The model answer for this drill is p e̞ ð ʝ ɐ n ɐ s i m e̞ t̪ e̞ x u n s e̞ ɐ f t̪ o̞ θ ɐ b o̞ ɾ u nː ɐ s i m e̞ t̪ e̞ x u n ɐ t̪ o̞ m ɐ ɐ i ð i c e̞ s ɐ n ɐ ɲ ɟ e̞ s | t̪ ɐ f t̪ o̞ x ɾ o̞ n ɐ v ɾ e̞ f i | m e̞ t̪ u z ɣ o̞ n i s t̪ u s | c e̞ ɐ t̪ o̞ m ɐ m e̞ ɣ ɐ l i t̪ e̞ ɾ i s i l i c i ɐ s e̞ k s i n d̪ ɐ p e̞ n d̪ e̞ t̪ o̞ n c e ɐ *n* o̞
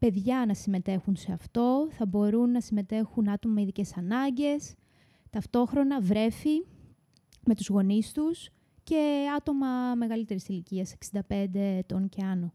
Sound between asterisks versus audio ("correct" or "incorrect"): correct